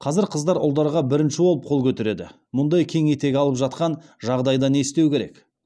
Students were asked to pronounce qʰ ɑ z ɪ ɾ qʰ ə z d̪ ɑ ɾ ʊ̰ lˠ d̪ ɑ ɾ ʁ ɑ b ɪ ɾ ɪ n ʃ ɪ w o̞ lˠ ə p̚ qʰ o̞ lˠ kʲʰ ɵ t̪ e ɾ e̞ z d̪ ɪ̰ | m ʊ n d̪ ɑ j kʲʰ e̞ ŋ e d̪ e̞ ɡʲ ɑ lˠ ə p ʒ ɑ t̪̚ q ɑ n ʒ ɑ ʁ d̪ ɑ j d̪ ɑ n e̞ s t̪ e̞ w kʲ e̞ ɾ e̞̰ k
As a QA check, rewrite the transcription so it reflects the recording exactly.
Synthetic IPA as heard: qʰ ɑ z ɪ ɾ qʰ ə z d̪ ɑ ɾ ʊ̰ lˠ d̪ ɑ ɾ ʁ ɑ b ɪ ɾ ɪ n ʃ ɪ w o̞ lˠ ə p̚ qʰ o̞ lˠ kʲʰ ɵ t̪ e ɾ e̞ d̪ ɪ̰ | m ʊ n d̪ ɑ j kʲʰ e̞ ŋ e t̪ e̞ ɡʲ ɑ lˠ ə p ʒ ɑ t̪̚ q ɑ n ʒ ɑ ʁ d̪ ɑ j d̪ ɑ n e̞ s t̪ e̞ w kʲ e̞ ɾ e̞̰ k